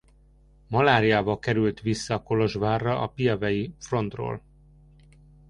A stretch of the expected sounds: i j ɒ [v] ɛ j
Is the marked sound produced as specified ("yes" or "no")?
yes